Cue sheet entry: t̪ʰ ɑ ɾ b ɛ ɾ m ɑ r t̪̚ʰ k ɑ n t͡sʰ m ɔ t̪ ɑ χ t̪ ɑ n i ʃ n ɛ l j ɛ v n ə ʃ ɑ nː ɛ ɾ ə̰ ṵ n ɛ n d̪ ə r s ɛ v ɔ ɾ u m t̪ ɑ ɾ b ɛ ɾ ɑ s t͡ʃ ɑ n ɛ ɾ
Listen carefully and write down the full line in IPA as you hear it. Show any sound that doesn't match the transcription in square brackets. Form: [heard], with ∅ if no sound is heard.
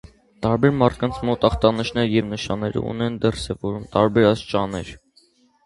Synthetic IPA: [t̪] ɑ ɾ b ɛ ɾ m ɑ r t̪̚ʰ k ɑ n t͡sʰ m ɔ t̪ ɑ χ t̪ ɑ n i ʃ n ɛ [ɾ] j ɛ v n ə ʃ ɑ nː ɛ ɾ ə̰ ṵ n ɛ n d̪ ə r s ɛ v ɔ ɾ u m t̪ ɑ ɾ b ɛ ɾ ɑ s t͡ʃ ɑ n ɛ ɾ